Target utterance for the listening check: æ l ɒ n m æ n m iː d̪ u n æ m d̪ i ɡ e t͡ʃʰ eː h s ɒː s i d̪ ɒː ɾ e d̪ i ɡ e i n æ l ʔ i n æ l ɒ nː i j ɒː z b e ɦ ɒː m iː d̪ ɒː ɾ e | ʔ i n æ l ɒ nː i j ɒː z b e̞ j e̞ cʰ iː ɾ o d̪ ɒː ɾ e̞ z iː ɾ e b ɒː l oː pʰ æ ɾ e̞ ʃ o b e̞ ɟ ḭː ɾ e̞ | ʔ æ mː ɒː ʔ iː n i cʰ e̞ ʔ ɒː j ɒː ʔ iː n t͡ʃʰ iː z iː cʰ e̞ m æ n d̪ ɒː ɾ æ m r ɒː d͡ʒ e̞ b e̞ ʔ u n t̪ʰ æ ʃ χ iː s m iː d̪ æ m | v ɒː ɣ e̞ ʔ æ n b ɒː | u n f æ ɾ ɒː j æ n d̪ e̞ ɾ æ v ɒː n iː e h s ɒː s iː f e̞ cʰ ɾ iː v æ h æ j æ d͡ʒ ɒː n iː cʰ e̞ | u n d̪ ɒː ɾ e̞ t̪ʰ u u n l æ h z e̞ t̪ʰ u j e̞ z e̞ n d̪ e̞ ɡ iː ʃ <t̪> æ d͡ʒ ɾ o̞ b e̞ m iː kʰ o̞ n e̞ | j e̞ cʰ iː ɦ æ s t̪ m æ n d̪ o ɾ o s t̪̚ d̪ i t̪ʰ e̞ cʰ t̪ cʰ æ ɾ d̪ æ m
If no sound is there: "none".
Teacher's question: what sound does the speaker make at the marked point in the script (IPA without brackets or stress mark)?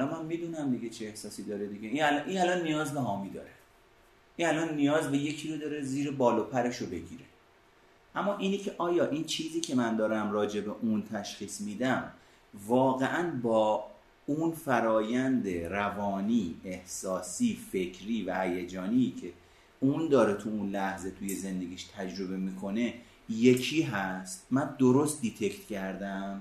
t̪ʰ